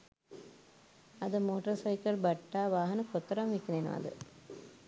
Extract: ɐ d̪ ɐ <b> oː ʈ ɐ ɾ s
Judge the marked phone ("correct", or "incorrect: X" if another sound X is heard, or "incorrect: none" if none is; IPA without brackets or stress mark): incorrect: m